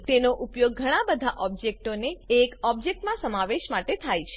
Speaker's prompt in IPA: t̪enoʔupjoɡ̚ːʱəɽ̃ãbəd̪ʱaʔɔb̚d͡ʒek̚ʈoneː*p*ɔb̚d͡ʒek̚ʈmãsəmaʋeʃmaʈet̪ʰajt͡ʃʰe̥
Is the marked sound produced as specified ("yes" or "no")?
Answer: no